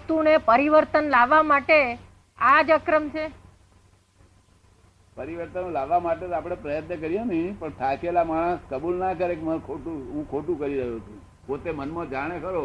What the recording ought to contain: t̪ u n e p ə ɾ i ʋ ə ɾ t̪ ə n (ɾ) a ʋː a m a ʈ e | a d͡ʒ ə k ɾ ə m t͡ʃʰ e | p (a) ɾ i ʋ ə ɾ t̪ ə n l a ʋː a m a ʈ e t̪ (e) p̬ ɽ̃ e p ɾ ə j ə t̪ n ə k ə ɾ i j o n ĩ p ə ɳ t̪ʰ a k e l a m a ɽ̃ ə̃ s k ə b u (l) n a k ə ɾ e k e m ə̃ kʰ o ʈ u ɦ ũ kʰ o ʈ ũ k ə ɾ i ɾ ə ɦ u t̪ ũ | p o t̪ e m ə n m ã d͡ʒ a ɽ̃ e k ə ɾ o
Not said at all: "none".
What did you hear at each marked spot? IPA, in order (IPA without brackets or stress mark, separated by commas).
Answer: l, ə, a, l